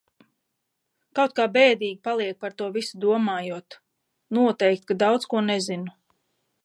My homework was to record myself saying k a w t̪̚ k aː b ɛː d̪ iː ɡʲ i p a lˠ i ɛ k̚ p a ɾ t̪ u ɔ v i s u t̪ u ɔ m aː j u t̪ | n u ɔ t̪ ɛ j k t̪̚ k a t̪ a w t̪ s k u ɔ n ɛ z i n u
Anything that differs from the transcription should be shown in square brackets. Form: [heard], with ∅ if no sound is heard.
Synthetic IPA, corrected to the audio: k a w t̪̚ k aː b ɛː d̪ iː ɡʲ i p a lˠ i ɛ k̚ p a ɾ t̪ u ɔ v i s u [d̪] u ɔ m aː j u t̪ | n u ɔ t̪ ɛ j k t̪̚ k a [d̪] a w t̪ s k u ɔ n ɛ z i n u